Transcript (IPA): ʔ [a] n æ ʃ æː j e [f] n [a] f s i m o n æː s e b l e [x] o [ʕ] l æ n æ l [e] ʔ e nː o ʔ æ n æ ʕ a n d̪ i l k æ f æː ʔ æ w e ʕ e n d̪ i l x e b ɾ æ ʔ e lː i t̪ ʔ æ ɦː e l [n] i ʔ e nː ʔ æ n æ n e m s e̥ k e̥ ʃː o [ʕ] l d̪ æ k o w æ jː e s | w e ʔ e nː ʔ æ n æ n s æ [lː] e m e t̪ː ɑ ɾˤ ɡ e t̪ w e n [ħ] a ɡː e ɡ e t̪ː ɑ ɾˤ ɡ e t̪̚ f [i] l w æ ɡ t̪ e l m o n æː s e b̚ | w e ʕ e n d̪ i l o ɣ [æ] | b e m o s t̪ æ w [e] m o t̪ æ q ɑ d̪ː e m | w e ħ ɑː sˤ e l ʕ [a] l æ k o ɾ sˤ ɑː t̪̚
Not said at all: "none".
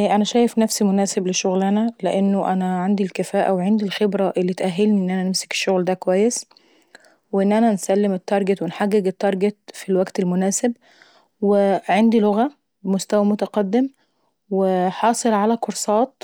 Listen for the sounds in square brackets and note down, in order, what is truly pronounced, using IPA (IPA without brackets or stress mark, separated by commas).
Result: æ, f, æ, ʃ, ɣ, e, n, ɣ, lː, ħ, i, æ, æ, a